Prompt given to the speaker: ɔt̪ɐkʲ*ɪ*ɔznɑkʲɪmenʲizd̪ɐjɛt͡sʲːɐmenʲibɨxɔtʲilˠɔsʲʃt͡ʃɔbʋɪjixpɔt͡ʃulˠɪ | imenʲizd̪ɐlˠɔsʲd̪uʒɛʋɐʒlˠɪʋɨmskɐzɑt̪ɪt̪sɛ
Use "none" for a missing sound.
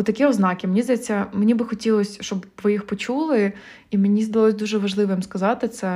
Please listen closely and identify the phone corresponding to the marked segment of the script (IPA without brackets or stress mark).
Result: i